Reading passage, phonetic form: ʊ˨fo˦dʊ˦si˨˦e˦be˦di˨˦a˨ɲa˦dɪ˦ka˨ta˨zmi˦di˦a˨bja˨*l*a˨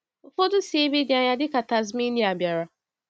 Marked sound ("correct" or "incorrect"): incorrect